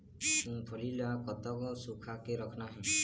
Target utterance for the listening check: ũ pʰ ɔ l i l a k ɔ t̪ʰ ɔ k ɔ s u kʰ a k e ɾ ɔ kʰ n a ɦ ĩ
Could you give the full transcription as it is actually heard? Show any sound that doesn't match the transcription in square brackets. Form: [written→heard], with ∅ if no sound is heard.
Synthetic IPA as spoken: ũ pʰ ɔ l i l a k ɔ [t̪ʰ→t̪] ɔ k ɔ s u kʰ a k e ɾ ɔ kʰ n a ɦ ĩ